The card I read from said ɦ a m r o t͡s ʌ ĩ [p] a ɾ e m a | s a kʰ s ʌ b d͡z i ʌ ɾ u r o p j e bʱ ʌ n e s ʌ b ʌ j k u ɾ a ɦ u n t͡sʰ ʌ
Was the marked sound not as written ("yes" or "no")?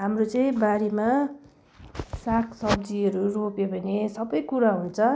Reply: yes